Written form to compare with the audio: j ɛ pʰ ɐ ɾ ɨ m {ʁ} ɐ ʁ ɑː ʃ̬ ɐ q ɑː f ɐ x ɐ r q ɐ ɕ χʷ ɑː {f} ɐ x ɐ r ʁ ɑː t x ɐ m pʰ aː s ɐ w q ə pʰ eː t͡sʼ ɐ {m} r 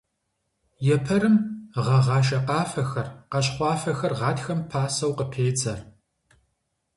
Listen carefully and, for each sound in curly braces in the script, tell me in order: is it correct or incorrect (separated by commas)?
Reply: correct, correct, incorrect